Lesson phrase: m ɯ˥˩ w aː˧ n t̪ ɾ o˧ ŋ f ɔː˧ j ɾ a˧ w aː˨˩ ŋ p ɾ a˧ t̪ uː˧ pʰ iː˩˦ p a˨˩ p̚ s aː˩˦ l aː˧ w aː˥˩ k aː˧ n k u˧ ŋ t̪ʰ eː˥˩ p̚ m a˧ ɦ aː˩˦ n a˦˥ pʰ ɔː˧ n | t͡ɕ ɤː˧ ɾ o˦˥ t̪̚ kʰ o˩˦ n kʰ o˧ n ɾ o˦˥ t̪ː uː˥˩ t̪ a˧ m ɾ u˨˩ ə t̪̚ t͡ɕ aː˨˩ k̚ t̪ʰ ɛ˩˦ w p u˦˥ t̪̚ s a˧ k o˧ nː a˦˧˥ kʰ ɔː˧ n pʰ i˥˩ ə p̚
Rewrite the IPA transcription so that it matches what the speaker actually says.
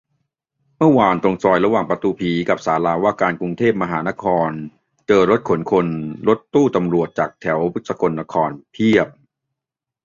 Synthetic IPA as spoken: m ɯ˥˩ w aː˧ n t̪ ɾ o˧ ŋ s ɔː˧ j ɾ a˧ w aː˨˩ ŋ p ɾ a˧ t̪ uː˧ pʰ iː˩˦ k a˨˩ p̚ s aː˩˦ l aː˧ w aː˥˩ k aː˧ n k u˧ ŋ t̪ʰ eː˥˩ p̚ m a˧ ɦ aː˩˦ n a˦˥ kʰ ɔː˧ n | t͡ɕ ɤː˧ ɾ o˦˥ t̪̚ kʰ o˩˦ n kʰ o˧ n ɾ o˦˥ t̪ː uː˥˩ t̪ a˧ m ɾ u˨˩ ə t̪̚ t͡ɕ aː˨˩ k̚ t̪ʰ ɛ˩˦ w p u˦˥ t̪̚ s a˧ k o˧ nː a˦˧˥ kʰ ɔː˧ n pʰ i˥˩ ə p̚